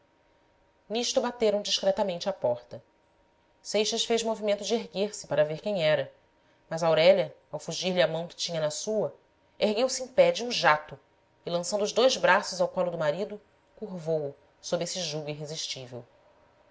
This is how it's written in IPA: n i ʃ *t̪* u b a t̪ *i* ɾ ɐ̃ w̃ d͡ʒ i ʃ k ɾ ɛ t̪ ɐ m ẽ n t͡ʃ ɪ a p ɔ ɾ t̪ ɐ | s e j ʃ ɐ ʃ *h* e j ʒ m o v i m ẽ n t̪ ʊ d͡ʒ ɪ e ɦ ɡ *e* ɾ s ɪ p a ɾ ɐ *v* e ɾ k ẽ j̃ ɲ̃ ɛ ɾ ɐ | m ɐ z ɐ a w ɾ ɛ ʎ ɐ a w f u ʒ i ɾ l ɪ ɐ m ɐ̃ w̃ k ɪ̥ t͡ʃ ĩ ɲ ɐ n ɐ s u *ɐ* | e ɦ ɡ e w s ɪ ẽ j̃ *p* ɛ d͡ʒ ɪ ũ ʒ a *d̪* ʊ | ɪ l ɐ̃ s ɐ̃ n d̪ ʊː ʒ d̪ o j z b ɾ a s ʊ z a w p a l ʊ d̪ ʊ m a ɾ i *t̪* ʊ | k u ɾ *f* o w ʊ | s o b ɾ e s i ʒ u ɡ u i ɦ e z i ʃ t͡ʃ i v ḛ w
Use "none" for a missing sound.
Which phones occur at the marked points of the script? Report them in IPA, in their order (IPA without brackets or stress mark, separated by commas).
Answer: t̪, e, f, e, v, ɐ, p, t̪, d̪, v